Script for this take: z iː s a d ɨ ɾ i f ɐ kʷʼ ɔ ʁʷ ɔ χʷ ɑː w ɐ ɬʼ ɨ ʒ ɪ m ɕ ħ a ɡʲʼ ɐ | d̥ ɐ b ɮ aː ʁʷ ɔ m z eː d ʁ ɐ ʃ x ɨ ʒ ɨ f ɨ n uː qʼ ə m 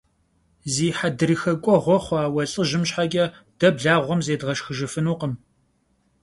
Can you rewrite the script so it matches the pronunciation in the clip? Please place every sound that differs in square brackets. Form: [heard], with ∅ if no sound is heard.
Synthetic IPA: z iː [ħ] a d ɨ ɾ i [x] ɐ kʷʼ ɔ ʁʷ ɔ χʷ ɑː w ɐ ɬʼ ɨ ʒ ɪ m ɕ ħ a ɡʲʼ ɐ | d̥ ɐ b ɮ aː ʁʷ ɔ m z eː d ʁ ɐ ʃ x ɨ ʒ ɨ f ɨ n uː [q] ə m